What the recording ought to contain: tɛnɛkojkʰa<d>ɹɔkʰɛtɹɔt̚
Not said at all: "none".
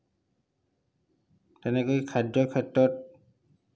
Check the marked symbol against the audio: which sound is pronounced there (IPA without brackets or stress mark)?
d